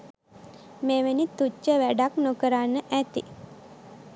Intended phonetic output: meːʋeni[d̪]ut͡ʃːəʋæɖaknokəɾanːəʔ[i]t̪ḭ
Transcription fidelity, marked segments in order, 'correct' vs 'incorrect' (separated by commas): incorrect, incorrect